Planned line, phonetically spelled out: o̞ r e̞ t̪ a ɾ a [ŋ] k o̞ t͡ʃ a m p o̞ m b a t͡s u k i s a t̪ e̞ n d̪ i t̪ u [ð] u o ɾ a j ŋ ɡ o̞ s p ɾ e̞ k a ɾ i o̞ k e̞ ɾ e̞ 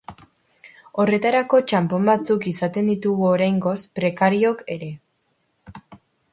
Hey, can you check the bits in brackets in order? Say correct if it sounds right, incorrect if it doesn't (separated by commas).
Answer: incorrect, incorrect